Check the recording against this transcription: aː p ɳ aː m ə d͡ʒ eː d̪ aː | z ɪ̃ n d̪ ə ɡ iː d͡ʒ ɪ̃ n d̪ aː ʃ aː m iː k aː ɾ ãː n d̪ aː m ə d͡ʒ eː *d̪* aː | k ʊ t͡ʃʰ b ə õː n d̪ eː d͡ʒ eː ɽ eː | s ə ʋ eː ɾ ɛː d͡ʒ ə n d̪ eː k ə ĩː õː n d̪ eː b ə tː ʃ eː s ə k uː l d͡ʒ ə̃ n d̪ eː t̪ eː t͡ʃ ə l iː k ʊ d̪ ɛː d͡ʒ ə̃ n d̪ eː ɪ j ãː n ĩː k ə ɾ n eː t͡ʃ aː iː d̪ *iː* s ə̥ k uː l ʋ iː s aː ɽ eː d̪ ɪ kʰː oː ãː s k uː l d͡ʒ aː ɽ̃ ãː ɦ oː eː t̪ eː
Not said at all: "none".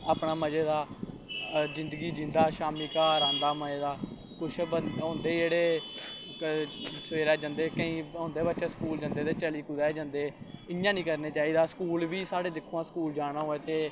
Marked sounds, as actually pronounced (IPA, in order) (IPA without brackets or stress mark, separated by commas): d̪, aː